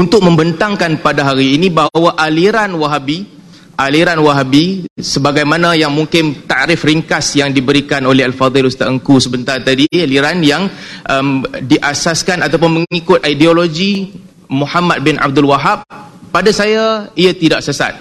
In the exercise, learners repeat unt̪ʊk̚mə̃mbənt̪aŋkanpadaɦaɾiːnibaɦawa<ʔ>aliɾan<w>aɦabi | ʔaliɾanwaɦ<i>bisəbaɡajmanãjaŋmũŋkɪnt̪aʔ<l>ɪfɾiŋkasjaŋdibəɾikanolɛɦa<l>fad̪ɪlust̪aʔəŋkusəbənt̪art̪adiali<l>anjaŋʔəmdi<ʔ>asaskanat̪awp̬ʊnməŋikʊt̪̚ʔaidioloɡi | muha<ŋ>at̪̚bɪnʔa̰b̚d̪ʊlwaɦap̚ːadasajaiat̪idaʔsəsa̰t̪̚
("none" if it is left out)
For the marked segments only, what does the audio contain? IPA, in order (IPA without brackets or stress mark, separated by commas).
ʔ, w, a, ɾ, l, ɾ, ʔ, m